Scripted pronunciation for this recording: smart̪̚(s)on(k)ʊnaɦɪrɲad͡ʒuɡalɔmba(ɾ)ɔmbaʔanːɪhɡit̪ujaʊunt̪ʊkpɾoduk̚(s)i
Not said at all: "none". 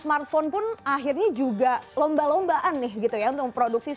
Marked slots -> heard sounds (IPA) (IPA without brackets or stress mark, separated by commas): f, p, l, s